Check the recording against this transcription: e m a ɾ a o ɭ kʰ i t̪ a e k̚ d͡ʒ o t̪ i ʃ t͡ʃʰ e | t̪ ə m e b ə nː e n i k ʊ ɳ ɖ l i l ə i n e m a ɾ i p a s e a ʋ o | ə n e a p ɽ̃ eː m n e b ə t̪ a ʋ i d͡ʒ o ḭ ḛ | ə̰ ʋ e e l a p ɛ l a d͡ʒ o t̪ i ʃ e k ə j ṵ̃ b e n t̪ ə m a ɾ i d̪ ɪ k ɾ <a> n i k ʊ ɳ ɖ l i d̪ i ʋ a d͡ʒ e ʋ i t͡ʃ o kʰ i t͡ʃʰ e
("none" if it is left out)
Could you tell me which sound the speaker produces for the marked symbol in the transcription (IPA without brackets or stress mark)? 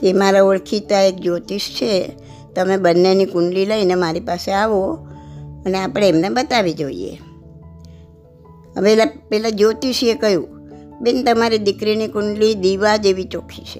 i